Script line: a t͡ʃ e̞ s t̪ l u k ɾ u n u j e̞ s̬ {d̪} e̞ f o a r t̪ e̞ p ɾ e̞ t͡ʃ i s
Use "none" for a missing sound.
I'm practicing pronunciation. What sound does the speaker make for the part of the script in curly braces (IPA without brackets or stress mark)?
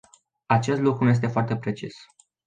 t̪